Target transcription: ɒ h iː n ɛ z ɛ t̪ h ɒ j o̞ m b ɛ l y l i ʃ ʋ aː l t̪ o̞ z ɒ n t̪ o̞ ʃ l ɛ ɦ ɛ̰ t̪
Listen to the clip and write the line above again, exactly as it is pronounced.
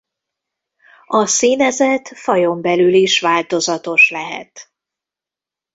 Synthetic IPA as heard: ɒ s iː n ɛ z ɛ t̪ f ɒ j o̞ m b ɛ l y l i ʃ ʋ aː l t̪ o̞ z ɒ t̪ o̞ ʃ l ɛ ɦ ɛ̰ t̪